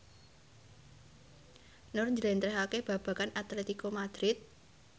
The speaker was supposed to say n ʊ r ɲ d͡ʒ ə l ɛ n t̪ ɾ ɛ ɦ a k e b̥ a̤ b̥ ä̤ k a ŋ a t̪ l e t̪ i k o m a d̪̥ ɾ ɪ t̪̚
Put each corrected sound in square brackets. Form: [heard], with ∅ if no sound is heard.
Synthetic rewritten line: n ʊ r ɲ d͡ʒ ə l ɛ n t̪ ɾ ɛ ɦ a k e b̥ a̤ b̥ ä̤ k a [n] a t̪ l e t̪ i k o m a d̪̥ ɾ ɪ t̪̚